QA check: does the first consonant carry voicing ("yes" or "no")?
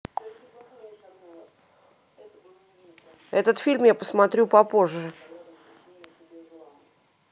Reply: no